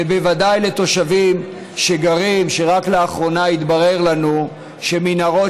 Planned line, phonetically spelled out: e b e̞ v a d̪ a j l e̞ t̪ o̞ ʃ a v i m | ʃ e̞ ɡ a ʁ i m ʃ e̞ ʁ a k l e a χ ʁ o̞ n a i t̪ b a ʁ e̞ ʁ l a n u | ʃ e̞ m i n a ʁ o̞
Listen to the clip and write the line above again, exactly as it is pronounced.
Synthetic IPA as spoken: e b e̞ v a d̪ a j l e̞ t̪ o̞ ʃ a v i m | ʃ e̞ ɡ a ʁ i m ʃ e̞ ʁ a k l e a χ ʁ o̞ n a i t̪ b a ʁ e̞ ʁ l a n u | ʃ e̞ m i n a ʁ o̞

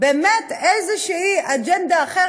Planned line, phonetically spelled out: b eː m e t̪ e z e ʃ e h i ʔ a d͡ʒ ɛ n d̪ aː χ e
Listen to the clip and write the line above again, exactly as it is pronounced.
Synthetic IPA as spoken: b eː m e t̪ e z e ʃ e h i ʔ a d͡ʒ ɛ n d̪ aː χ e

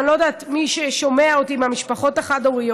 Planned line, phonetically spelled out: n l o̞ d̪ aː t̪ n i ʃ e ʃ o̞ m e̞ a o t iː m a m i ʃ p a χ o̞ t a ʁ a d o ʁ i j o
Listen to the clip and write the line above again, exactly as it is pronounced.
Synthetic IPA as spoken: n l o̞ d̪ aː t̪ m i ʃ e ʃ o̞ m e̞ a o t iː m a m i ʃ p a χ o̞ t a χ a d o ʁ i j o

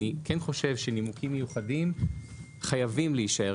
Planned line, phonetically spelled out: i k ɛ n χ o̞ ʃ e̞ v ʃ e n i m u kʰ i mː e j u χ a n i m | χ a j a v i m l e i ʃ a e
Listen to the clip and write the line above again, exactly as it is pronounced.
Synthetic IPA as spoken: i k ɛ n χ o̞ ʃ e̞ v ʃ e n i m u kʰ i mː e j u χ a d i m | χ a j a v i m l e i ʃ a e

